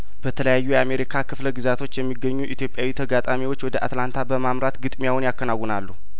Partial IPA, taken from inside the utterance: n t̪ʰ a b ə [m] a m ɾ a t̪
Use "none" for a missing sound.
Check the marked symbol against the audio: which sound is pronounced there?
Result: m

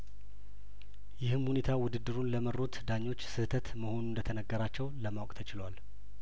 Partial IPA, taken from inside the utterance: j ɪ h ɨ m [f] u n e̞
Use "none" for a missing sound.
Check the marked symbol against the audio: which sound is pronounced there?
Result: h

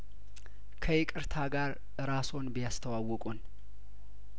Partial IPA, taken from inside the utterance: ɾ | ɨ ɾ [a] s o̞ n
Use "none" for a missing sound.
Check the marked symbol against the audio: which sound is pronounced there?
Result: a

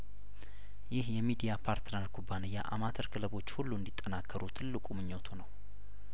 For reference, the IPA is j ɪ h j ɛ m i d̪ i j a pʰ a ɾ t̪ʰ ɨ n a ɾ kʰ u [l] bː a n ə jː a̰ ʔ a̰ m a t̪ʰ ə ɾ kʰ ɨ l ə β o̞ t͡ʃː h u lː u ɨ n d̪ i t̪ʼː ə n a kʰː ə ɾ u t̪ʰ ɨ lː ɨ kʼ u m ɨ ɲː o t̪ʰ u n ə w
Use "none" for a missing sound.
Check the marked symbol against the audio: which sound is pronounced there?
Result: none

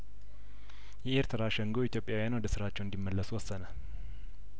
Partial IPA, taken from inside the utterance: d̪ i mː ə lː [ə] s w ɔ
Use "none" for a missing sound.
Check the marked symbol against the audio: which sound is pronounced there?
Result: ə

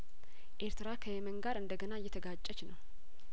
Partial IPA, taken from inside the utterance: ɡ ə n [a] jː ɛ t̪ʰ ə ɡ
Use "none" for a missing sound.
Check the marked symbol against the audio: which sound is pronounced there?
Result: a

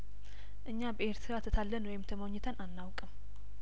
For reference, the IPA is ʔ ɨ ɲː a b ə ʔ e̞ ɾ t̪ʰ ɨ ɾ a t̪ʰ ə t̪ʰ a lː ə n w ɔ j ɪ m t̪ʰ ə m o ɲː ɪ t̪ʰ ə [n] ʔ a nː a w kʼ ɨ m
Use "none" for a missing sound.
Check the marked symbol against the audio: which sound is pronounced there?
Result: n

